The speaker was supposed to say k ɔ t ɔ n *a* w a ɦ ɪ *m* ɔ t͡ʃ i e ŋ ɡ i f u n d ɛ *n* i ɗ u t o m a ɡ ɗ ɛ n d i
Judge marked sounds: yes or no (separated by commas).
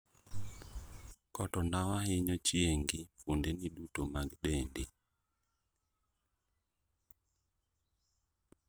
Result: yes, no, yes